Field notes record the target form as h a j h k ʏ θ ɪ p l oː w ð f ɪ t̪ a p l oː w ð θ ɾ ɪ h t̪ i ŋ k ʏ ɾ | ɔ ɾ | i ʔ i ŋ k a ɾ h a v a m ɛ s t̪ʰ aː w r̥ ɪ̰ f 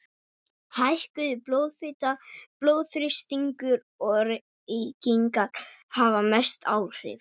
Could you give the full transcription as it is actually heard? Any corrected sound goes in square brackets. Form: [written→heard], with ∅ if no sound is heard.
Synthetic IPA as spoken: h a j h k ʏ [θ→ð] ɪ p l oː w ð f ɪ t̪ a p l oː w ð θ ɾ ɪ [h→s] t̪ i ŋ k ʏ ɾ | ɔ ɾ | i [ʔ→c] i ŋ k a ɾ h a v a m ɛ s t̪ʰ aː w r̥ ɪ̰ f